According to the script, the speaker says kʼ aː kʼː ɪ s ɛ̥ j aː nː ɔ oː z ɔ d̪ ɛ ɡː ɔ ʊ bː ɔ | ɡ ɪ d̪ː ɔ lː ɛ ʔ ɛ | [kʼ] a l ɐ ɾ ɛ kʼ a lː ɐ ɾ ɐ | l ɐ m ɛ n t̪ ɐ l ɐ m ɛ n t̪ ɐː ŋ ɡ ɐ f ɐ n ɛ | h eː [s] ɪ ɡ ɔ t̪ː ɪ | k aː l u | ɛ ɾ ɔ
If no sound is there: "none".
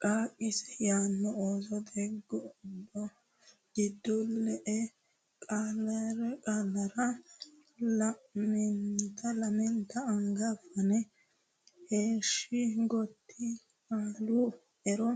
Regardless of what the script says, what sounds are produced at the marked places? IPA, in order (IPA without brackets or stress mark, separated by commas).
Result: kʼ, ʃ